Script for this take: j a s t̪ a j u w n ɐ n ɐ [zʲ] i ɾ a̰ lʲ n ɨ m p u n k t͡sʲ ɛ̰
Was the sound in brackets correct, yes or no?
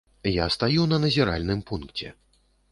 yes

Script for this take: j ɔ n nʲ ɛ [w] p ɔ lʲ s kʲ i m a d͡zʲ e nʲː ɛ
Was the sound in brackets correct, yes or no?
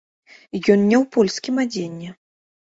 yes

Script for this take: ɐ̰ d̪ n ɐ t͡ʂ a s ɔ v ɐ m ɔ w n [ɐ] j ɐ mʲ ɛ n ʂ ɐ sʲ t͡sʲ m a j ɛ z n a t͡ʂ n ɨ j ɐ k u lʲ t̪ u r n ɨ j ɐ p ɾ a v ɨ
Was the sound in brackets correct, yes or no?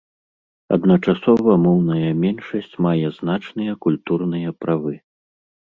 yes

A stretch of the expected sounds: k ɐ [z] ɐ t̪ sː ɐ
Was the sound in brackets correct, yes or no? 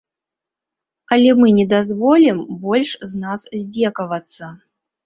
no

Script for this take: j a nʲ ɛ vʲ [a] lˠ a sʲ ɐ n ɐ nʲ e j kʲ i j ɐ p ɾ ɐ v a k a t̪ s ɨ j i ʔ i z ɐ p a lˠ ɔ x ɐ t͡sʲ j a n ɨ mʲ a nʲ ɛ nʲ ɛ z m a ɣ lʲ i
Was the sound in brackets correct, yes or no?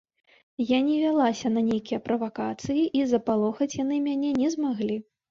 yes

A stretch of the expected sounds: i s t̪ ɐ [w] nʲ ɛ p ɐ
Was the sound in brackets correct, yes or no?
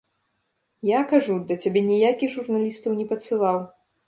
yes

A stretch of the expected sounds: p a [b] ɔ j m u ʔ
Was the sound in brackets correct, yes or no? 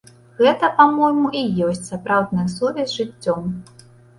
no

